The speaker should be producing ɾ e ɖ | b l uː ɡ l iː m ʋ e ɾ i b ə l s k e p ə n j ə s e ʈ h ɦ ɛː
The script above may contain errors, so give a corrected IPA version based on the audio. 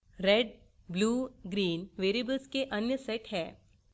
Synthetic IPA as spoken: ɾ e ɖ | b l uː ɡ ɾ iː n ʋ e ɾ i b ə l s k e ʔ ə n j ə s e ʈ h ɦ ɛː